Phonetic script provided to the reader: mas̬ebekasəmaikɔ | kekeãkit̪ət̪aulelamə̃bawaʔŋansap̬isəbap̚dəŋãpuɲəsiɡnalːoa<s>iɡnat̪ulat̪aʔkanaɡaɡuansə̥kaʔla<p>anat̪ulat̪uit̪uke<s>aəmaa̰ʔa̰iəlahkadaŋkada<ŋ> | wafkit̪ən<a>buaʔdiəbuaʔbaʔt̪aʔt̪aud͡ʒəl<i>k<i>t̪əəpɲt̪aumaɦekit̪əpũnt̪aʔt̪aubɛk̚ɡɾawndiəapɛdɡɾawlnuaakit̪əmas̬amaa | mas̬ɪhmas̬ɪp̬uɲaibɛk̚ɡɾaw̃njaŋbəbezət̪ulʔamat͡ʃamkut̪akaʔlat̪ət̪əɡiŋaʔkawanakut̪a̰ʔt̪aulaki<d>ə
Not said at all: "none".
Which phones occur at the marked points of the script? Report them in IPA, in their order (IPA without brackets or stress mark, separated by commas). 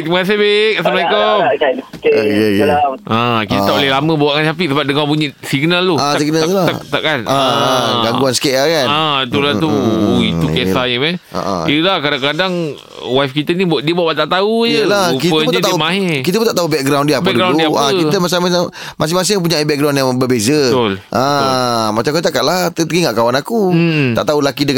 s, k, s, ŋ, i, a, i, d